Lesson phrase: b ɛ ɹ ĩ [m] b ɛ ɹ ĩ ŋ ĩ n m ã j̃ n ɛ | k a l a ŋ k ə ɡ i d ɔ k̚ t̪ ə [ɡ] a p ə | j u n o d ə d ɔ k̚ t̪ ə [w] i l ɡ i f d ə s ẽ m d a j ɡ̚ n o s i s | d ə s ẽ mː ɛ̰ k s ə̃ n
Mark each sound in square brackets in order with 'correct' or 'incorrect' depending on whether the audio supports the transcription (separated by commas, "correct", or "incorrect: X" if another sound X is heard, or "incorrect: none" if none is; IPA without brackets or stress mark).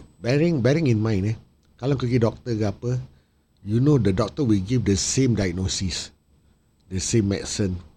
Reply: incorrect: ŋ, correct, correct